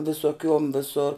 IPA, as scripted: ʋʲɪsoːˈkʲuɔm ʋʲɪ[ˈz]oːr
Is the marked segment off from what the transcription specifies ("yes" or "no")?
yes